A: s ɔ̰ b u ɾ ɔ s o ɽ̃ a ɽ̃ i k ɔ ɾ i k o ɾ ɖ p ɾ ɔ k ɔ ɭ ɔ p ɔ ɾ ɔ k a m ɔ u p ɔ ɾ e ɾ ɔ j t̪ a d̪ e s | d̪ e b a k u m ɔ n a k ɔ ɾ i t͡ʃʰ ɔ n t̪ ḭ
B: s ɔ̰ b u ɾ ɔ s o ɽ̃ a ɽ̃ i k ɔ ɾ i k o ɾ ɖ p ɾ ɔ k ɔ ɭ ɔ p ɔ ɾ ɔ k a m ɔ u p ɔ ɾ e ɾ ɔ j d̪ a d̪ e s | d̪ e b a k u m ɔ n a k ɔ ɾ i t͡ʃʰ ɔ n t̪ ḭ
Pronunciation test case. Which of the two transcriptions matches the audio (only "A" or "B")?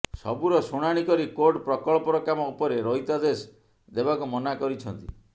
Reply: A